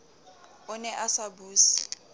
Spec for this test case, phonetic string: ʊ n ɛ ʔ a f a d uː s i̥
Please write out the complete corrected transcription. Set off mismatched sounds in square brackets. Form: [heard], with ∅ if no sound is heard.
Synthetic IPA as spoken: ʊ n ɛ ʔ a [s] a [b] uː s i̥

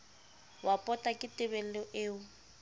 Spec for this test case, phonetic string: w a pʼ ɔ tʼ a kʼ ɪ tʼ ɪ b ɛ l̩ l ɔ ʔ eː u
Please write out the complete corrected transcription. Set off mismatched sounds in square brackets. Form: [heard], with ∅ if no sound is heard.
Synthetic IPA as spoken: w a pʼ ɔ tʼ a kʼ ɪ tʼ ɪ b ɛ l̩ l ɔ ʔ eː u

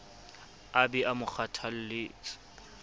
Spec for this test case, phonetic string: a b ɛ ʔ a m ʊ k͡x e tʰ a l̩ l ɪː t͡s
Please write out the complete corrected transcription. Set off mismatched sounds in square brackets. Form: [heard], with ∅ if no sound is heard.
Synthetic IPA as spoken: a b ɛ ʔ a m ʊ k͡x [a] tʰ a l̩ l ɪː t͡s

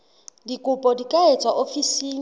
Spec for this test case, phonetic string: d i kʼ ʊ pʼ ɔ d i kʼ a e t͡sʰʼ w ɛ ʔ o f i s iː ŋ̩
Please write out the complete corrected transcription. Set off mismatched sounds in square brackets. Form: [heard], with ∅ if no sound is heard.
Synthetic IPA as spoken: d i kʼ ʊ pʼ ɔ d i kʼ a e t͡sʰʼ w [a] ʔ o f i s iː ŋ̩

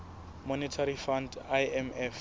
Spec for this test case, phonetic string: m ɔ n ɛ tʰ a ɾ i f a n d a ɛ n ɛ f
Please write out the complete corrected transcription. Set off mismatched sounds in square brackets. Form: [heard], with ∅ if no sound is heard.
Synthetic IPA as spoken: m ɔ n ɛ tʰ a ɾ i f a n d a ɛ [m] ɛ f

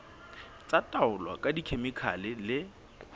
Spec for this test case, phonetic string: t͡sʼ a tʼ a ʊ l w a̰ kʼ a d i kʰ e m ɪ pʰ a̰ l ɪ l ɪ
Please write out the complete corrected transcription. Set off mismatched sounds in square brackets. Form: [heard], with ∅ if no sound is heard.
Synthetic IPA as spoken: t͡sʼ a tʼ a ʊ l w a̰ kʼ a d i kʰ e m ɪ [kʰ] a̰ l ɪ l ɪ

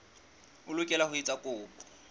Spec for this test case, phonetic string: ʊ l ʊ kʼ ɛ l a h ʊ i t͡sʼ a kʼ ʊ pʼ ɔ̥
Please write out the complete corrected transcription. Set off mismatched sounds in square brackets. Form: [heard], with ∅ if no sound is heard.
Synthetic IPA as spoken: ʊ l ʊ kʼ ɛ l a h ʊ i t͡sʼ a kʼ [ʊː] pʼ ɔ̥

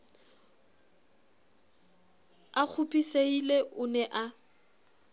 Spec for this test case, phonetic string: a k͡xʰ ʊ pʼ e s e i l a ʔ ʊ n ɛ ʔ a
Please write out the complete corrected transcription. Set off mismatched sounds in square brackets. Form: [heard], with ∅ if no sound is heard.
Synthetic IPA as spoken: a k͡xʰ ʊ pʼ [i] s e i l [e] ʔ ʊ n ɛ ʔ a

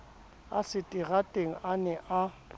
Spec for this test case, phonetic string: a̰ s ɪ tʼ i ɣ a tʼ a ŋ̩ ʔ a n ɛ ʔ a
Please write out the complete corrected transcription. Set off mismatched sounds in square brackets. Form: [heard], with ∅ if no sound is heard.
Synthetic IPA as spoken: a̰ s ɪ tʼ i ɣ a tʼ [e] ŋ̩ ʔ a n ɛ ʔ a

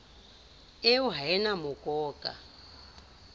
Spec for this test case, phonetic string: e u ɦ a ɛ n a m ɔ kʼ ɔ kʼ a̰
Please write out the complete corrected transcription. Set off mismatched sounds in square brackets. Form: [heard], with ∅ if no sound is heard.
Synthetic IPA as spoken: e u ɦ a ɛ n a m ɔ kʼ [ɔː] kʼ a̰

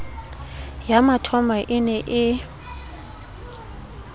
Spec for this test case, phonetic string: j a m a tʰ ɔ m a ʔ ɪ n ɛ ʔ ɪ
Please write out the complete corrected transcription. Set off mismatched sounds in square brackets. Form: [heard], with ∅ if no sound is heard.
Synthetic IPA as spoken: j a m a tʰ ɔ m a ʔ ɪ n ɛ ʔ ɪ

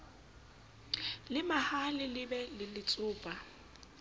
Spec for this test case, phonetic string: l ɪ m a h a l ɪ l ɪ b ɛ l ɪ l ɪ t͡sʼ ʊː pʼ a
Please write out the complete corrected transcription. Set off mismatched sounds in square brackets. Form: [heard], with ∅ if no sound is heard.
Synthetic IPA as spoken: l ɪ m a h a l ɪ l ɪ b ɛ l ɪ l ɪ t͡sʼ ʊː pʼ a

